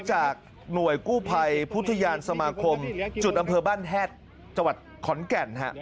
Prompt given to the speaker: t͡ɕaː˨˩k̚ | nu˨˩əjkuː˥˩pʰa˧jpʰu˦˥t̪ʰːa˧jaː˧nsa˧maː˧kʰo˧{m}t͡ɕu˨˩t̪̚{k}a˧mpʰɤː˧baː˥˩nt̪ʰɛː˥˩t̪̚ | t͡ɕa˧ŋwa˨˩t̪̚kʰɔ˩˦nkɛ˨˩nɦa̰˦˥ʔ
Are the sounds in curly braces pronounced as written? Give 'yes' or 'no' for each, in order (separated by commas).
yes, no